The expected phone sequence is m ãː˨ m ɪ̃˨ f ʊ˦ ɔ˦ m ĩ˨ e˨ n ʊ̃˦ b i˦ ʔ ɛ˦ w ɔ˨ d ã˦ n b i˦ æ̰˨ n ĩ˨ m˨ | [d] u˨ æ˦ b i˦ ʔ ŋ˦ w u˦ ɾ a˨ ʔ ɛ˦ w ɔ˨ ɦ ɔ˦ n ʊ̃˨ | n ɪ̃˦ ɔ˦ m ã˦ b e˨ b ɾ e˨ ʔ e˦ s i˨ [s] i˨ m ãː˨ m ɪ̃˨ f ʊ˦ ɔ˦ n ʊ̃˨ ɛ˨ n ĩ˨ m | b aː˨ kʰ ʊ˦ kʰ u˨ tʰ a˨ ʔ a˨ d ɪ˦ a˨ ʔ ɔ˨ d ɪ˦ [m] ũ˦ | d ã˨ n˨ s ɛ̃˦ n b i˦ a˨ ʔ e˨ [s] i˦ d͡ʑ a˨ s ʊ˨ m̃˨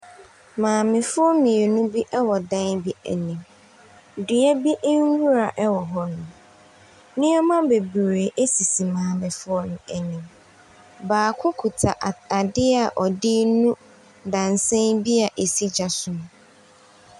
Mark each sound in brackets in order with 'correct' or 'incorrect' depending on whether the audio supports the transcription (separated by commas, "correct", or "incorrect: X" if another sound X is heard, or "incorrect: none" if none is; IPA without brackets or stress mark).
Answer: correct, correct, incorrect: n, correct